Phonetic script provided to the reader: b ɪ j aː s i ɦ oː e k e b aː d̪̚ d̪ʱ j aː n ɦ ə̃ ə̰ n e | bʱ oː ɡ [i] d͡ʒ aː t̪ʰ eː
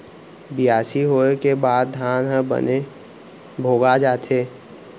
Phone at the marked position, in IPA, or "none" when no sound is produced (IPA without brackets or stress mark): a